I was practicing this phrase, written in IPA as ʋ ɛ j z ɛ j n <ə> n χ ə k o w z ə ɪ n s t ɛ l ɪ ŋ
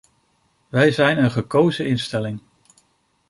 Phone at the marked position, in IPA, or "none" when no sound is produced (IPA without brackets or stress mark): ə